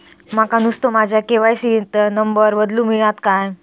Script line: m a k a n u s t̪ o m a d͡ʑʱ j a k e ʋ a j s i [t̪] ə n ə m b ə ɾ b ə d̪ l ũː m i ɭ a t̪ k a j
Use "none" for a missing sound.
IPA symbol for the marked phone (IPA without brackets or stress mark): t̪